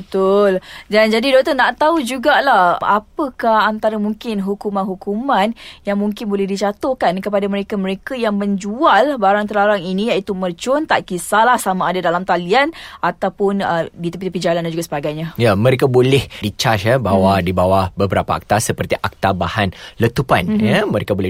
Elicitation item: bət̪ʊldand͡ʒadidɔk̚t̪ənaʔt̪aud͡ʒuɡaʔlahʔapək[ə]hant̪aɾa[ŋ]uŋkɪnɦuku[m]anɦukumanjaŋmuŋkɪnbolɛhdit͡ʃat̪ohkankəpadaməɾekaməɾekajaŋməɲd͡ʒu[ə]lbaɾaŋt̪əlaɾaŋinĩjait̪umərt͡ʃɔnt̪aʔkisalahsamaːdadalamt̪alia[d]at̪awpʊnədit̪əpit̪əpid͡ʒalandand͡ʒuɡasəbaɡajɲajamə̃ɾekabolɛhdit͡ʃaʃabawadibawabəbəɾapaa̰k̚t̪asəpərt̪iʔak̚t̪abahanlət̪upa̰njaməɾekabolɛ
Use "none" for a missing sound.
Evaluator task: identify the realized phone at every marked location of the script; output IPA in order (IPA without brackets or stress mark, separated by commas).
a, m, m, a, n